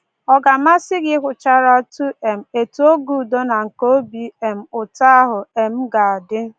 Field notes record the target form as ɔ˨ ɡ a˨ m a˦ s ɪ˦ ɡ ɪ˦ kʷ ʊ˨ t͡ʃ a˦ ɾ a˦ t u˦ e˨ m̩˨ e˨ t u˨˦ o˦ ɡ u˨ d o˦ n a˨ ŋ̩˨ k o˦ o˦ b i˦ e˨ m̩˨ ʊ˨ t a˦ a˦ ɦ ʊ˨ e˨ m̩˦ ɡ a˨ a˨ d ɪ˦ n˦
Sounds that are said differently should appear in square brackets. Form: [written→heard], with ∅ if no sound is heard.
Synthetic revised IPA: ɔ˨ ɡ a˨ m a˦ s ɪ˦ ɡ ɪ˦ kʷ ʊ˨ t͡ʃ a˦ ɾ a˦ t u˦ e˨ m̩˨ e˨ t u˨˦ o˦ ɡ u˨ d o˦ n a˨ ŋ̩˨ k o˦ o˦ b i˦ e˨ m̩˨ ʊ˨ t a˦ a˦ ɦ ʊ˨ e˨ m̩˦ ɡ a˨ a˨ d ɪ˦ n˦